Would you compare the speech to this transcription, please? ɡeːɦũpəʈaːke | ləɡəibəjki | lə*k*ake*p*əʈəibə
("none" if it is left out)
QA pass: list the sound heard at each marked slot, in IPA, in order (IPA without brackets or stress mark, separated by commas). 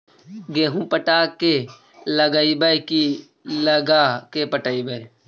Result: ɡ, p